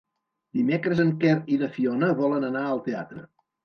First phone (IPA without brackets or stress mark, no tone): d̪